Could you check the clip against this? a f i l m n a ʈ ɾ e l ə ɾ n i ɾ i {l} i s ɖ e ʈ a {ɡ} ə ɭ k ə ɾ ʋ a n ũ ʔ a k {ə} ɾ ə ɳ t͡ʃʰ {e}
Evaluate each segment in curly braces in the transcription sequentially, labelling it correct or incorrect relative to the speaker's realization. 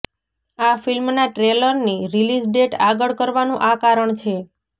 correct, correct, incorrect, correct

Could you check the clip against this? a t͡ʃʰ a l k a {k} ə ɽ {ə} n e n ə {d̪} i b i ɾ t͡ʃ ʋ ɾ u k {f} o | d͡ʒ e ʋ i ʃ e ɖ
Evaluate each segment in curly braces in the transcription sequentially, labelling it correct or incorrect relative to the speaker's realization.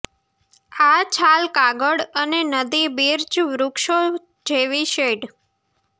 incorrect, correct, correct, incorrect

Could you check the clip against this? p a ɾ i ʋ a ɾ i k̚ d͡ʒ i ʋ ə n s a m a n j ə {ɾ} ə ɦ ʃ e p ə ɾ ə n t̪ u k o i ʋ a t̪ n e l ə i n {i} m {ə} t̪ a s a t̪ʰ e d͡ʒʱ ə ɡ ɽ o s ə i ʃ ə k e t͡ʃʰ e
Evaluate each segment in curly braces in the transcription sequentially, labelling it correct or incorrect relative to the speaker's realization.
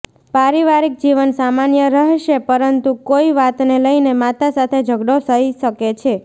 correct, incorrect, incorrect

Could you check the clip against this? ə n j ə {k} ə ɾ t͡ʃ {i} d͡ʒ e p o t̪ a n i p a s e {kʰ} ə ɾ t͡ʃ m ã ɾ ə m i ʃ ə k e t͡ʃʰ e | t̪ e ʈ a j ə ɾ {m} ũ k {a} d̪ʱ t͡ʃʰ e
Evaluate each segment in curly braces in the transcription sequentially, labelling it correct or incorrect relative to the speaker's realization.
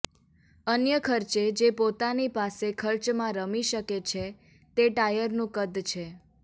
incorrect, incorrect, correct, incorrect, incorrect

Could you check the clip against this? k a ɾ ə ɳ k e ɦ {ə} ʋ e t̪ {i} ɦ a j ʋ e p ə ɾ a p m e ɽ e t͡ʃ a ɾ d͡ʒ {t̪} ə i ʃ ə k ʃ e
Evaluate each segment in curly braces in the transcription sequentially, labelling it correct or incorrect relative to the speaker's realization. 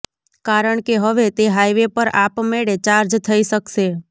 correct, incorrect, incorrect

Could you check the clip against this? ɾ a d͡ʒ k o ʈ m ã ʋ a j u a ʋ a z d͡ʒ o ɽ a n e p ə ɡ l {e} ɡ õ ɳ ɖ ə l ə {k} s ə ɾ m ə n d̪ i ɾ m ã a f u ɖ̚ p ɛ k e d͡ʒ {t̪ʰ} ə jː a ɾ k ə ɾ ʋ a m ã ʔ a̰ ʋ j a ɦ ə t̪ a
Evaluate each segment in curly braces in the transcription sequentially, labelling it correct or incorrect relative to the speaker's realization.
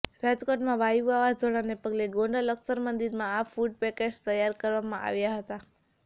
correct, correct, incorrect

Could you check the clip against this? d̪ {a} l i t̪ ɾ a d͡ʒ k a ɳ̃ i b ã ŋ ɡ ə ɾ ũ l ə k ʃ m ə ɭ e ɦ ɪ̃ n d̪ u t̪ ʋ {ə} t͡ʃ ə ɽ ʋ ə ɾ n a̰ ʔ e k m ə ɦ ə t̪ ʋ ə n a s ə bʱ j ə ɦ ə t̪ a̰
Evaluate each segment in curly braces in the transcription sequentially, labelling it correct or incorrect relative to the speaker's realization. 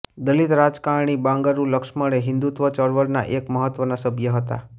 incorrect, correct

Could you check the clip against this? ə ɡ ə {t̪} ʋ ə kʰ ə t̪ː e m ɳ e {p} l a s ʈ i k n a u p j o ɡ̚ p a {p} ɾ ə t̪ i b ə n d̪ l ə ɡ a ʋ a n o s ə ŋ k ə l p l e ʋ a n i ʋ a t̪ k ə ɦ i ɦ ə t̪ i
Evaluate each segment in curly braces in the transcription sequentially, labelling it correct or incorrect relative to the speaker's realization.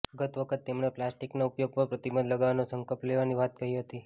correct, correct, correct

